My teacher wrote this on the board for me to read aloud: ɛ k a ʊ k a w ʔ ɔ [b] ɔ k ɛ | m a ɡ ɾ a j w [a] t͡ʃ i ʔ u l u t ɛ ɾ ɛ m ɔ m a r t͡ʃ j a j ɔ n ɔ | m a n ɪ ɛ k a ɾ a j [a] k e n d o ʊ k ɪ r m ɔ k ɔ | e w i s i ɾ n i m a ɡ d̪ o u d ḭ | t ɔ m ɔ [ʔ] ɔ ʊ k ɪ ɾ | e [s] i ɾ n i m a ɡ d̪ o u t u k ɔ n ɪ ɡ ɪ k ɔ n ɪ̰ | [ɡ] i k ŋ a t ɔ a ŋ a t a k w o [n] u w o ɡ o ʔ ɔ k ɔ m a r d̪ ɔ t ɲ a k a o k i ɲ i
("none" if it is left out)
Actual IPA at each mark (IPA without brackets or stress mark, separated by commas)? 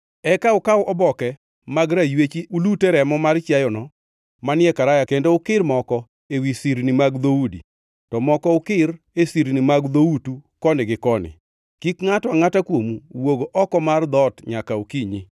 b, e, a, k, s, k, m